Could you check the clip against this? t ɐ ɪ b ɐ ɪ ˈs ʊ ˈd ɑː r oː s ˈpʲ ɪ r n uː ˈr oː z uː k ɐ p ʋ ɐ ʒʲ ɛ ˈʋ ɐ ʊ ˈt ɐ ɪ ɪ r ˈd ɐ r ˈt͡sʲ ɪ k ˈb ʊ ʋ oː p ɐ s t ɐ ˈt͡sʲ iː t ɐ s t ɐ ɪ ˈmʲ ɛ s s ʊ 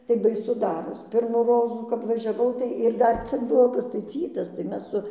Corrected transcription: t ɐ ɪ b ɐ ɪ ˈs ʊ ˈd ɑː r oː s ˈpʲ ɪ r m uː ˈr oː z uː k ɐ p ʋ ɐ ʒʲ ɛ ˈʋ ɐ ʊ ˈt ɐ ɪ ɪ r ˈd ɐ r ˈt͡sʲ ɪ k ˈb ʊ ʋ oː p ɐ s t ɐ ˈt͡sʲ iː t ɐ s t ɐ ɪ ˈmʲ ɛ s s ʊ